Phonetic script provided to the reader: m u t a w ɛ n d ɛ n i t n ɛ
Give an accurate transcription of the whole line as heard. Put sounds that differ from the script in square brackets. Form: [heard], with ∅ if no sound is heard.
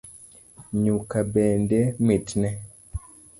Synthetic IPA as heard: [ɲ] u [k] a [b] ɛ n d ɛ [m] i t n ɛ